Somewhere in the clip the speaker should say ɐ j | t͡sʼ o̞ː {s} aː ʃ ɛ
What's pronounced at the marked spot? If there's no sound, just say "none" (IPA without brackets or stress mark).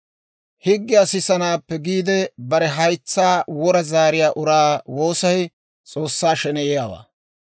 sː